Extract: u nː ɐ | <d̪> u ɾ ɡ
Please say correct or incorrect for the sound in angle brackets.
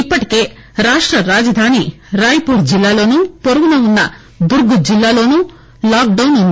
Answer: correct